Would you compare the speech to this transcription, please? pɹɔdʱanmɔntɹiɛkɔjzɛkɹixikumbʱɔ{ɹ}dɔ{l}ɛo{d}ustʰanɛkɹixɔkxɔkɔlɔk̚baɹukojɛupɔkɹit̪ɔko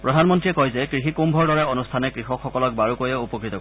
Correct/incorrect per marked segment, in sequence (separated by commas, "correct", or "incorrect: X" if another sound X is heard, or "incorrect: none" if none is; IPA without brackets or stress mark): correct, incorrect: ɹ, incorrect: n